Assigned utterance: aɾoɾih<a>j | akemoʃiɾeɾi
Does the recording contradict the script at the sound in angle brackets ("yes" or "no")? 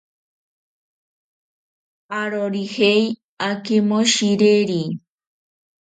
yes